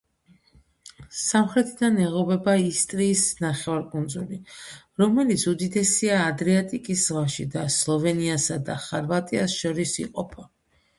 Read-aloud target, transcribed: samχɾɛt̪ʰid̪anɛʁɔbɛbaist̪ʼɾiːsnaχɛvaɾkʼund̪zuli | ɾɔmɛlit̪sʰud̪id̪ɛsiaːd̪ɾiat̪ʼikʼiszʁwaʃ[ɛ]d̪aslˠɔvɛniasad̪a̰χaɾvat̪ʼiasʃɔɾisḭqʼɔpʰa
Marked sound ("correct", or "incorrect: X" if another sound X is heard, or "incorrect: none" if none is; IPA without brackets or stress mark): incorrect: i